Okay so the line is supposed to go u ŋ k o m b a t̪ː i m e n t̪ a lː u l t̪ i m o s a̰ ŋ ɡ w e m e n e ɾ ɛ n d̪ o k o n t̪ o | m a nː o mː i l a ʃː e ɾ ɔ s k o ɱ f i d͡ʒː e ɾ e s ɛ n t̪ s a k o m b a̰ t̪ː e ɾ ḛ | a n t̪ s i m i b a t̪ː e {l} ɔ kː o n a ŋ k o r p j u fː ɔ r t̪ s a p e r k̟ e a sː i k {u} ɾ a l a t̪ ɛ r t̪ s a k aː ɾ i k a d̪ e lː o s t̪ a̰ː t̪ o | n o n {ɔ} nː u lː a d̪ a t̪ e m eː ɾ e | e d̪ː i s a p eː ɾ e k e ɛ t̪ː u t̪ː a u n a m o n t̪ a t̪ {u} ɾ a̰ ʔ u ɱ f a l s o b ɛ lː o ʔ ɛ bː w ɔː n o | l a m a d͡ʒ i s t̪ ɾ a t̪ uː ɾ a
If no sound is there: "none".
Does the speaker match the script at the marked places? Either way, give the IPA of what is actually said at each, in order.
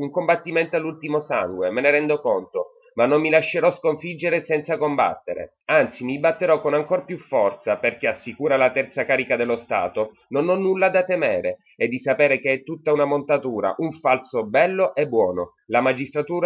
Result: ɾ, uː, ɔ, uː

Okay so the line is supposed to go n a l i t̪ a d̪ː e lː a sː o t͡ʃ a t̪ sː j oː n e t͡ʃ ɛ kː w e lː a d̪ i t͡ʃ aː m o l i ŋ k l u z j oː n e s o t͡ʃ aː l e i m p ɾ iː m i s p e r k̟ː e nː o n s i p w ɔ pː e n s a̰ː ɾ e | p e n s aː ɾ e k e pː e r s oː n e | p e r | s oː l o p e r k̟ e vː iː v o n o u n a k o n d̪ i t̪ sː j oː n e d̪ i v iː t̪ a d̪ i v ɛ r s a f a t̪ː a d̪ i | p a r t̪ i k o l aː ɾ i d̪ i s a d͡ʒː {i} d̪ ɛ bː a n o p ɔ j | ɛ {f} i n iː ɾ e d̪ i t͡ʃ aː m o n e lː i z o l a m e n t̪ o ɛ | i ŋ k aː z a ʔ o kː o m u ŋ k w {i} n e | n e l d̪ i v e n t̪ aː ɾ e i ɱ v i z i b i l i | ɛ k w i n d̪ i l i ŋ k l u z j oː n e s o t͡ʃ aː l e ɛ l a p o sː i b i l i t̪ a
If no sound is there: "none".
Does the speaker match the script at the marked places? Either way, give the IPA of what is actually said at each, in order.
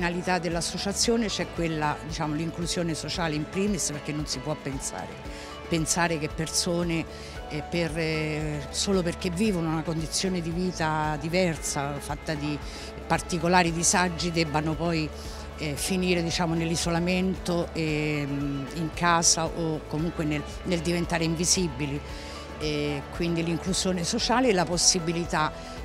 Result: i, f, e

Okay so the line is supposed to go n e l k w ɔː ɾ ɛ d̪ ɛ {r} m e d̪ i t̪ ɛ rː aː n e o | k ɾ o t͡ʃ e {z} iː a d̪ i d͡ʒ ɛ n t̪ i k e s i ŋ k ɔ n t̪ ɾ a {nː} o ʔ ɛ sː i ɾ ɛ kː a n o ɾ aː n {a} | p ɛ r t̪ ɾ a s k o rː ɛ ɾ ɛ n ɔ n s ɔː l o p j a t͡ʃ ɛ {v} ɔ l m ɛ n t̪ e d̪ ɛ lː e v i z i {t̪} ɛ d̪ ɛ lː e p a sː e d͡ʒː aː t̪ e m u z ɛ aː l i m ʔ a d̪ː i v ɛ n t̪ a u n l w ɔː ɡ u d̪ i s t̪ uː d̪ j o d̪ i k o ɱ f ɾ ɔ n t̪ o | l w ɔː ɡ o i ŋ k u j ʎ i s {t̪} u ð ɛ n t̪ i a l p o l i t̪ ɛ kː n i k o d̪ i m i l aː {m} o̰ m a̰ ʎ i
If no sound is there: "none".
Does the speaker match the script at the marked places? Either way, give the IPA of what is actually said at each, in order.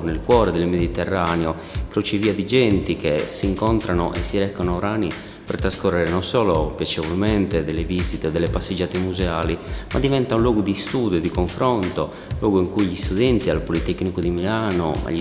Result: l, v, n, i, v, t̪, t̪, n

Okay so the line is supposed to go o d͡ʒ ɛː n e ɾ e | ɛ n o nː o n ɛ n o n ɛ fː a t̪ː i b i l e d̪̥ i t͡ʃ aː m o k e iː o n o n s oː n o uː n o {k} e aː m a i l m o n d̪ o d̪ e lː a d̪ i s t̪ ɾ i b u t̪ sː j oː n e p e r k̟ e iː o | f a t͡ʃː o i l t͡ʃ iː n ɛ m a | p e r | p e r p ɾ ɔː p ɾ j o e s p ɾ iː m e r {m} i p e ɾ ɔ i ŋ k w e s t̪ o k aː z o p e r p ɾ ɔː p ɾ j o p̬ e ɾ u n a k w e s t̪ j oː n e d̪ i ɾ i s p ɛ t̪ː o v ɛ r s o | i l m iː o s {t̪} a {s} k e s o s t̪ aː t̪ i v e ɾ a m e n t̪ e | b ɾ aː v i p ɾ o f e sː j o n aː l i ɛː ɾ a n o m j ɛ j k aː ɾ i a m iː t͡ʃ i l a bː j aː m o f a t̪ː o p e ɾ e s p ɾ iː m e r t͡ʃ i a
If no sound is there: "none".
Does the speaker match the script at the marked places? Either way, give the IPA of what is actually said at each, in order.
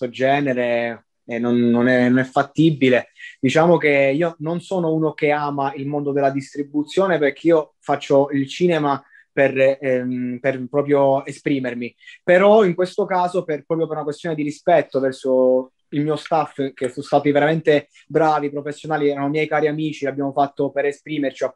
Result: k, m, t̪, f

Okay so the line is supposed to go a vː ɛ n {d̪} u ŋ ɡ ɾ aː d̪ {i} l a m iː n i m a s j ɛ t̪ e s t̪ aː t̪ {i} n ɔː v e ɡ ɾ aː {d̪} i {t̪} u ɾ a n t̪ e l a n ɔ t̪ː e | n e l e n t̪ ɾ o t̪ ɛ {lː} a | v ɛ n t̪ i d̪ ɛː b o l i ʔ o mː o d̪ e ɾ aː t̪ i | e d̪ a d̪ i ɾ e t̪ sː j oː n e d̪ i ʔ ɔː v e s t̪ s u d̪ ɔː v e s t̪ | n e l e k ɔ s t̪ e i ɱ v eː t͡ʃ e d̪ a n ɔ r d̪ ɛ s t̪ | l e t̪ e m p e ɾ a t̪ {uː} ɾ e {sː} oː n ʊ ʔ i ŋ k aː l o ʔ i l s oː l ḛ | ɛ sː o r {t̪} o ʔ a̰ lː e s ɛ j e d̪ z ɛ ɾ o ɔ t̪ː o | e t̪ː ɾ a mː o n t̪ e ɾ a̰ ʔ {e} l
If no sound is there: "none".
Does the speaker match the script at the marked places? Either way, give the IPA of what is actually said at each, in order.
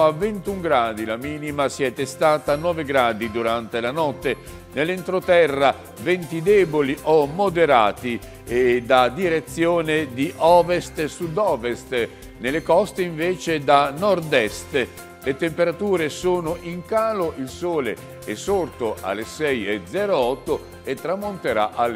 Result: t̪, i, a, d̪, d̪, rː, uː, s, t̪, a

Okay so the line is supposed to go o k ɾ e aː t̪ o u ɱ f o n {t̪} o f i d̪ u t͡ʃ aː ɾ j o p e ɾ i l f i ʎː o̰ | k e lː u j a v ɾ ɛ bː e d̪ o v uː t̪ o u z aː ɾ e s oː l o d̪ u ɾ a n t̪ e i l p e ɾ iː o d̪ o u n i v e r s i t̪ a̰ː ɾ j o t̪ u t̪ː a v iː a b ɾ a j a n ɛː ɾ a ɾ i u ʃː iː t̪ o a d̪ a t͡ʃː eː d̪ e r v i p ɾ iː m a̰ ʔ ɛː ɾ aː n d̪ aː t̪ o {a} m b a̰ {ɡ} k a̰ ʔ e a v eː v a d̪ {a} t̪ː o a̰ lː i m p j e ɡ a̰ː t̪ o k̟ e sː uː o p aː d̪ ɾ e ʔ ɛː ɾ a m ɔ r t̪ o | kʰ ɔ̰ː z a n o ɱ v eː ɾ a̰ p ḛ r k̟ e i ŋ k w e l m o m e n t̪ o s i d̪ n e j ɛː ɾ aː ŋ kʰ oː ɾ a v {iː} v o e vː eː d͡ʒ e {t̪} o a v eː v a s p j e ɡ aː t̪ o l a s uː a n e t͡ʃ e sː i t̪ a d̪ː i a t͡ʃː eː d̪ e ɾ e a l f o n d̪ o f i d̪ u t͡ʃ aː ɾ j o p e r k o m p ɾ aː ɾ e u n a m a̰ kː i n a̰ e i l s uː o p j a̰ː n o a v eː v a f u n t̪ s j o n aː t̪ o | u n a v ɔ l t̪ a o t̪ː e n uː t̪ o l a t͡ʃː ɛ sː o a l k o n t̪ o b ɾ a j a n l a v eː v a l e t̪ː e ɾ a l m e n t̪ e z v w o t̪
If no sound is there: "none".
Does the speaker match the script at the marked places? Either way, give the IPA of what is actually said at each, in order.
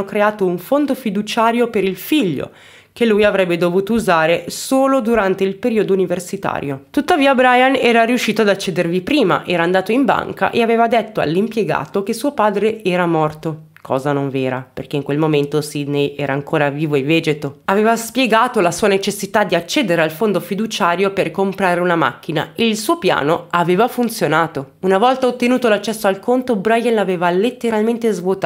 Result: d̪, i, ŋ, e, iː, t̪

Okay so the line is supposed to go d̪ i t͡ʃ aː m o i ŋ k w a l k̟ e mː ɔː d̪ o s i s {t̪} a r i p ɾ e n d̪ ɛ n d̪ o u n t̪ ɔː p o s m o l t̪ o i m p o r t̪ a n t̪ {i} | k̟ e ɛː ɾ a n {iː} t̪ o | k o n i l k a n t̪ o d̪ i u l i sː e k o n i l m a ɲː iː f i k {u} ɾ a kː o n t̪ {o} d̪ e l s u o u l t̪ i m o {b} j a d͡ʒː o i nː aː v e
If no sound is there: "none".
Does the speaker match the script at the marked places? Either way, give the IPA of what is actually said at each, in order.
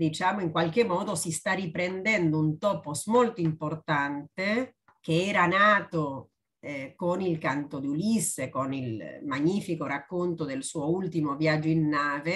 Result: t̪, e, aː, o, o, v

